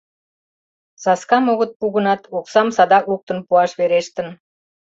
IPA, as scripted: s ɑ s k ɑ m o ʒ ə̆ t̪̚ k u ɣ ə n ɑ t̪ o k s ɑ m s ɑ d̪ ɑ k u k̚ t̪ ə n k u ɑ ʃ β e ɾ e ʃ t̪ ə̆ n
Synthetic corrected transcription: s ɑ s k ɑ m o ɣ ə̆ t̪̚ p u ɣ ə n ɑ t̪ o k s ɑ m s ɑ d̪ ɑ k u k̚ t̪ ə n p u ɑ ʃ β e ɾ e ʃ t̪ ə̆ n